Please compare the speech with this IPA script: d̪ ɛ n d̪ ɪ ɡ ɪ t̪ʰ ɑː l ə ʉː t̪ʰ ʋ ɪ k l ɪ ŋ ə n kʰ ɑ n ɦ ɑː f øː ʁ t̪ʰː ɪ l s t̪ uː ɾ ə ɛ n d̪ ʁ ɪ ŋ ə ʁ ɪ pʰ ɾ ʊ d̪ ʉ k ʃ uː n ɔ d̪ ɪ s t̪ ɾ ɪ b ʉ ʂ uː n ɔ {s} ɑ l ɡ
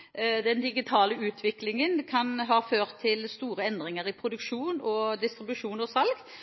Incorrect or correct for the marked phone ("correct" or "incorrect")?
correct